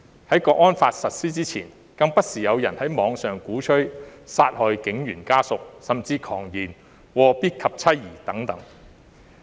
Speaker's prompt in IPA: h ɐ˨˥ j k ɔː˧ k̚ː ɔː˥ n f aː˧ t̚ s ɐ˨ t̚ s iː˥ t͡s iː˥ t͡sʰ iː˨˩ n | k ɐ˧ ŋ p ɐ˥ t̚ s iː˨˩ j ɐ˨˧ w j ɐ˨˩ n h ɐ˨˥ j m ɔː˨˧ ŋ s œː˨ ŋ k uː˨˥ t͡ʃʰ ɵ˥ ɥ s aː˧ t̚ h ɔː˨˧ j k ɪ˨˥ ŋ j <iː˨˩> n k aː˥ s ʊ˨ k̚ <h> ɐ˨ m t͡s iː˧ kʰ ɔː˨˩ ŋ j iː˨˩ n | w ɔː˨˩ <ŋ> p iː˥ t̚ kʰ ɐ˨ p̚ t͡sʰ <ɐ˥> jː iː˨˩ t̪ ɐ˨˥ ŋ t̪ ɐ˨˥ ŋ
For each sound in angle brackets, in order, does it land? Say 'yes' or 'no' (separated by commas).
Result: no, no, no, yes